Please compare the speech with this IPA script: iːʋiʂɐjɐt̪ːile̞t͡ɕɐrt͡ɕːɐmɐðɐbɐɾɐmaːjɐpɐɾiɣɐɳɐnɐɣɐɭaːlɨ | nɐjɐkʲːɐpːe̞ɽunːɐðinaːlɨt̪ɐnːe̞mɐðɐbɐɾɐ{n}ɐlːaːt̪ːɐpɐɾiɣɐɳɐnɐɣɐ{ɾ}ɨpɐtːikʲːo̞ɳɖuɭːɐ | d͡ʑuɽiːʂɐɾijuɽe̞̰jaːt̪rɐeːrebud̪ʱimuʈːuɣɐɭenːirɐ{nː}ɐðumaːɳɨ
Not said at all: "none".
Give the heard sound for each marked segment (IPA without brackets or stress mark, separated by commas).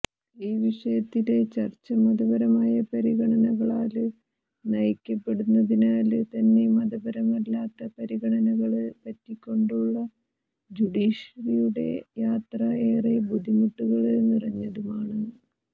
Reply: m, ɭ, ɲː